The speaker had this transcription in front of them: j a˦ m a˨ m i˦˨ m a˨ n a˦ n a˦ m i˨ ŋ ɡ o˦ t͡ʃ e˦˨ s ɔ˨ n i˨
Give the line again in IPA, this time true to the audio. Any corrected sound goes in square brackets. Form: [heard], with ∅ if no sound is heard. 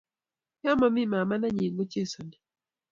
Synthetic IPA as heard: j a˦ m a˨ m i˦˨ m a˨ [m] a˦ n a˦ [ɲ] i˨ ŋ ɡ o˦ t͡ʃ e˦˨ s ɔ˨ n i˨